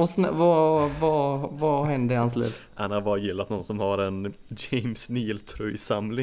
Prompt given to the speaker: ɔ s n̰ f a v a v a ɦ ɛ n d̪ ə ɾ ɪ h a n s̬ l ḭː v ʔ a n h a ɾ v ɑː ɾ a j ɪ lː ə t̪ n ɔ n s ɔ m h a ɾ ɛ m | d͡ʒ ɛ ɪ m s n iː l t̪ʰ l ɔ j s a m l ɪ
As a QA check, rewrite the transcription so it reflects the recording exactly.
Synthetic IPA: ɔ s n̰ v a v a v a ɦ ɛ n d̪ ə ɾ ɪ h a n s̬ l ḭː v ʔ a n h a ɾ b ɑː ɾ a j ɪ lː a t̪ n ɔ n s ɔ m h a ɾ ɛ n | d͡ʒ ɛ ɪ m s n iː l t̪ʰ ɾ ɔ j s a m l ɪ